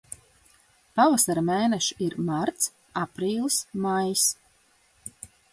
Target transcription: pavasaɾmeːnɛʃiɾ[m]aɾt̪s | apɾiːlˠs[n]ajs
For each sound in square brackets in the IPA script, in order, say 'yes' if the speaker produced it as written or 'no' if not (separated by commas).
yes, no